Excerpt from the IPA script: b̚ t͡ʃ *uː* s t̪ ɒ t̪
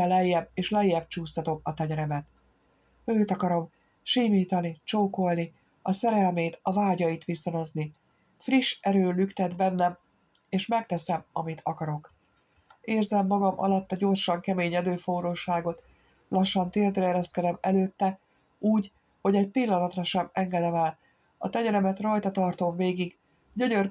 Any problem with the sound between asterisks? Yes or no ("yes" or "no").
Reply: no